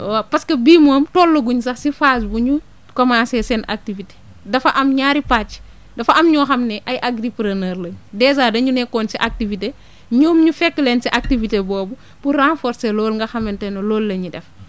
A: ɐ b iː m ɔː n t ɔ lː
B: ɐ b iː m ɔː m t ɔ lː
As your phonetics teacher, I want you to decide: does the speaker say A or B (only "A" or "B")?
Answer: B